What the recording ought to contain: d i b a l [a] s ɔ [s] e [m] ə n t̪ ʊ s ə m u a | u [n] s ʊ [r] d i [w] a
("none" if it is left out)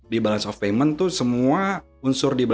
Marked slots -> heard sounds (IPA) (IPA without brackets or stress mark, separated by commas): a, f, m, n, r, b